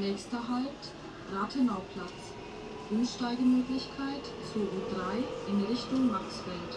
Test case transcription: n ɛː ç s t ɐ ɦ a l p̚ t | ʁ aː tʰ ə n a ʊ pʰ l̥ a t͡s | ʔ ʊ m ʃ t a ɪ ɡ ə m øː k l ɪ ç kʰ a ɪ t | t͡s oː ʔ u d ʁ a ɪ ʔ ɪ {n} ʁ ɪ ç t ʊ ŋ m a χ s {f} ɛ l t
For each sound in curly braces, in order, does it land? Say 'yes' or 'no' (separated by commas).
yes, yes